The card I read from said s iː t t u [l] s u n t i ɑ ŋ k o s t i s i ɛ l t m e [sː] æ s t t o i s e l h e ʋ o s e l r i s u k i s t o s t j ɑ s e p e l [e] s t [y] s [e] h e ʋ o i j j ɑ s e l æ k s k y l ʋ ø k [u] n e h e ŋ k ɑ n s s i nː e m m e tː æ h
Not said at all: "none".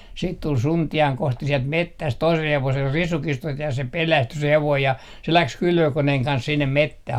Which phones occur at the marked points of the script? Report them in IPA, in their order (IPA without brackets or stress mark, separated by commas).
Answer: l, tː, æ, y, e, o